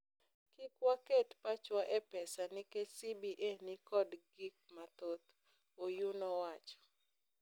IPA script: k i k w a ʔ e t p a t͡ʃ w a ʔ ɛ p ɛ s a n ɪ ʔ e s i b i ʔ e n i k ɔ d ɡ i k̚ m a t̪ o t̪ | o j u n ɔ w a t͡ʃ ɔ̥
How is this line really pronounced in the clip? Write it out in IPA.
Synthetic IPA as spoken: k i k w a k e t p a t͡ʃ w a ʔ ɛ p ɛ s a n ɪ k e s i b i ʔ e n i k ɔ d ɡ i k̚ m a t̪ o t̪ | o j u n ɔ w a t͡ʃ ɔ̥